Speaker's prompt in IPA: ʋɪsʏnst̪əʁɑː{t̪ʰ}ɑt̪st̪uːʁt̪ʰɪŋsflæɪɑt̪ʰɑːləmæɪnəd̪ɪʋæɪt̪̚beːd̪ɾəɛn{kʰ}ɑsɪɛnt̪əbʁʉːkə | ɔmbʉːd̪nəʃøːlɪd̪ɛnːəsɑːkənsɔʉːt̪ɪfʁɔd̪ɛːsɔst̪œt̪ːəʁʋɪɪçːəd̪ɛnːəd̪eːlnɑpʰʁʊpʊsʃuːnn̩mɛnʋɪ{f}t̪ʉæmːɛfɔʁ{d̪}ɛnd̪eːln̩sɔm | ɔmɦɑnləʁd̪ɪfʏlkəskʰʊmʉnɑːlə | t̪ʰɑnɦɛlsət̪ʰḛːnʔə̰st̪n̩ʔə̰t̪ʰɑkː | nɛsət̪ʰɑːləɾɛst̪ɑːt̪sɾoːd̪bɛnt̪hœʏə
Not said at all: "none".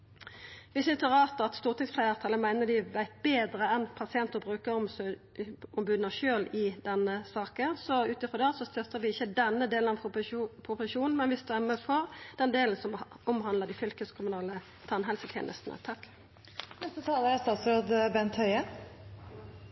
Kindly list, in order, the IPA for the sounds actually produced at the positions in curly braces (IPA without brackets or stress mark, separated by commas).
t̪, pʰ, s, d̪